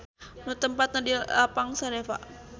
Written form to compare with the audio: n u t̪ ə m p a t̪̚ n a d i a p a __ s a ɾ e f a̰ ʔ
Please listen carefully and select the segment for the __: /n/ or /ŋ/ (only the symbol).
ŋ